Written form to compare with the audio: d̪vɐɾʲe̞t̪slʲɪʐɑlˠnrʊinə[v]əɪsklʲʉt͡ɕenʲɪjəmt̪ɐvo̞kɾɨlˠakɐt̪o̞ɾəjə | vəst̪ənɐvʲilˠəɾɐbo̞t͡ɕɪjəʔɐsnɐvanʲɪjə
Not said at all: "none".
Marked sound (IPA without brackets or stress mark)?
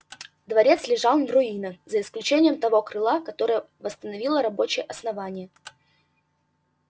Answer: z